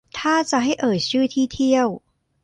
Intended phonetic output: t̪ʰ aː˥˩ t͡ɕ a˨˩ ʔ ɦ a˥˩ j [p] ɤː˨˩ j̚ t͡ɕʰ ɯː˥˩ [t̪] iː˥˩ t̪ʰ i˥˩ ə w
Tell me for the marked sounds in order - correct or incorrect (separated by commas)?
incorrect, incorrect